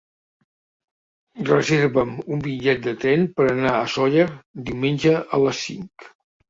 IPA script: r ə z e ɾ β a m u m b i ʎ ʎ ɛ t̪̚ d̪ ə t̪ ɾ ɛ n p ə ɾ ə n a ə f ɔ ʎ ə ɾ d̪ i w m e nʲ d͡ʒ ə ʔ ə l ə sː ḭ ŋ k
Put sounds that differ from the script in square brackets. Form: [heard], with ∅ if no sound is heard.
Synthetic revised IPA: r ə z e ɾ β [ə] m u m b i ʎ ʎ ɛ t̪̚ d̪ ə t̪ ɾ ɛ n p ə ɾ ə n a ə [s] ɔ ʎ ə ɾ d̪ i w m e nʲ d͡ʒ ə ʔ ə l ə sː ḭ ŋ k